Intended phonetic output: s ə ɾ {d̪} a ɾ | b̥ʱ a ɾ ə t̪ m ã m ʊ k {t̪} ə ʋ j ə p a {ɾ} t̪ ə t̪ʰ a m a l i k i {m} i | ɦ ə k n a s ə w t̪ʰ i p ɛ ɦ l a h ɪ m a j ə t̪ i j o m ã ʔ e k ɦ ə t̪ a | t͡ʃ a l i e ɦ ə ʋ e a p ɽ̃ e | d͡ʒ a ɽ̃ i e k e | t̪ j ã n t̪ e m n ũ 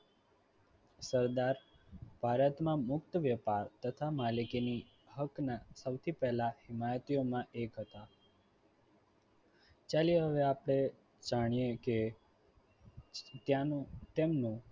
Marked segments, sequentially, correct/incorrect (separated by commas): correct, correct, correct, incorrect